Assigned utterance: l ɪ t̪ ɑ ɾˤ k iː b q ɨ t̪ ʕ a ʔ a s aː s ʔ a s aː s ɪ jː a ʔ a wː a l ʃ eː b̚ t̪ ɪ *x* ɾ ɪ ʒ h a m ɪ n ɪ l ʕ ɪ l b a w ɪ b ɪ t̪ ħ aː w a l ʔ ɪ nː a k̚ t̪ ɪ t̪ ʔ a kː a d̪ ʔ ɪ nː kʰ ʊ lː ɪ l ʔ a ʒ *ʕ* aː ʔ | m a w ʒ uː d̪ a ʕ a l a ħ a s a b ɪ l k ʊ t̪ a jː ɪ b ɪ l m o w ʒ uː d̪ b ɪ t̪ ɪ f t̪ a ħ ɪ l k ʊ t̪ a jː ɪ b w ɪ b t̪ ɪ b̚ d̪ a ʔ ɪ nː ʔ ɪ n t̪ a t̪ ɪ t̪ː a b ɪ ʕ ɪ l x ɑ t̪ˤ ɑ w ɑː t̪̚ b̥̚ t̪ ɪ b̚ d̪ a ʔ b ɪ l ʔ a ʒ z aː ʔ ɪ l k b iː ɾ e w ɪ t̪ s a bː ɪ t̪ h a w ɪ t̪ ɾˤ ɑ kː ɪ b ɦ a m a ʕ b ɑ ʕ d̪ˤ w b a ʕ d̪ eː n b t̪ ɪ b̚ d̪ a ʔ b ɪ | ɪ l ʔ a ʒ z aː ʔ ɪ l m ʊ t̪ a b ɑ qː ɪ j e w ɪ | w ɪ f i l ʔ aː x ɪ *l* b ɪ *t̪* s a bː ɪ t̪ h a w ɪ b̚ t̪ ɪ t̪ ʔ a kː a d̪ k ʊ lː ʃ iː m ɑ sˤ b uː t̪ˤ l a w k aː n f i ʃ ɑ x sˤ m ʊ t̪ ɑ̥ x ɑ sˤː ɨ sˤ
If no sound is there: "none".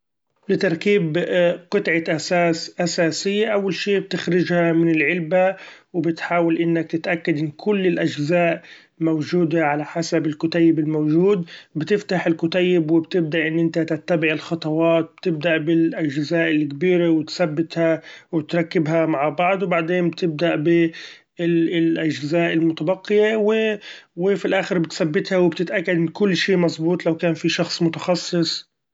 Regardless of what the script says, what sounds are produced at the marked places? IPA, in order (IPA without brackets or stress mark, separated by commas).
x, z, ɾ, t̪